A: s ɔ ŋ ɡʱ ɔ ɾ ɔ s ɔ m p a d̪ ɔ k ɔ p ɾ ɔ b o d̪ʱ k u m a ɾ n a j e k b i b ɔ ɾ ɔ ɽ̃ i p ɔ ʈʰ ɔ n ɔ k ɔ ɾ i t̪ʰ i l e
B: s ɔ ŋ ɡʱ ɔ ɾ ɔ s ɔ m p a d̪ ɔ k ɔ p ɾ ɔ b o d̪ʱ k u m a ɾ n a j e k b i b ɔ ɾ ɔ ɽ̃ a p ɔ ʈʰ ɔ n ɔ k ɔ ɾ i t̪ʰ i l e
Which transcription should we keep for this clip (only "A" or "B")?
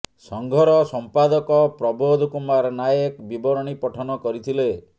A